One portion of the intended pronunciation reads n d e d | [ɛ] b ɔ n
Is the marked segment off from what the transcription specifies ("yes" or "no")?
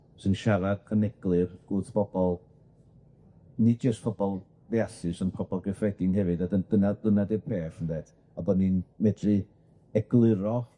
yes